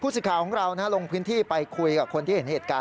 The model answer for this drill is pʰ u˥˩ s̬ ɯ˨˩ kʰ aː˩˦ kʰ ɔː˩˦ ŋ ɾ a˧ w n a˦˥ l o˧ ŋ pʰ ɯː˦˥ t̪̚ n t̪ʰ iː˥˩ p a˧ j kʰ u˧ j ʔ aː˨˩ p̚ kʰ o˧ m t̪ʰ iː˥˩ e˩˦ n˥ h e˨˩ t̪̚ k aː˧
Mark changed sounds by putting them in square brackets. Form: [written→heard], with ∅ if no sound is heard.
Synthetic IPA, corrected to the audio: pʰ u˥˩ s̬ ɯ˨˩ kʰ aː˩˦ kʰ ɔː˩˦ ŋ ɾ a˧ w n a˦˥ l o˧ ŋ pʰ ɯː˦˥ [t̪̚→∅] n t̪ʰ iː˥˩ p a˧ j kʰ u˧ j [ʔ→k] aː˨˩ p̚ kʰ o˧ [m→n] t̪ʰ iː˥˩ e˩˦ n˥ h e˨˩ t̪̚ k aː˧